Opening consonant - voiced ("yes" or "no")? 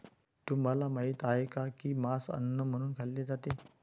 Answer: no